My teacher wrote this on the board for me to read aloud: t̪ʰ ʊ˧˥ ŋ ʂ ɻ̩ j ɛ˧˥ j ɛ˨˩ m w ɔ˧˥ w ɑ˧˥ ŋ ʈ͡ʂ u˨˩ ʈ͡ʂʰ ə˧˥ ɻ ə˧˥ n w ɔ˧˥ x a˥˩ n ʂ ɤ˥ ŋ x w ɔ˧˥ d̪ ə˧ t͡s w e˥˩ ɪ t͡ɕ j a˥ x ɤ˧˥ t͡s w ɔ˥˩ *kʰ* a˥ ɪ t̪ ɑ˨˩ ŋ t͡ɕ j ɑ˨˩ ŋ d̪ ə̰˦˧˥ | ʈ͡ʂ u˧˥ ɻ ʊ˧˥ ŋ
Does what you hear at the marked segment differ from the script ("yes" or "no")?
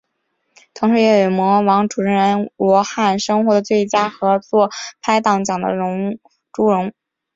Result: yes